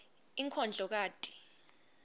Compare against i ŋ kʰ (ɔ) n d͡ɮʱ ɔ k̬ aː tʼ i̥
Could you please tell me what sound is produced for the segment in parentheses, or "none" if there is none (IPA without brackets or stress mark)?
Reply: ɔ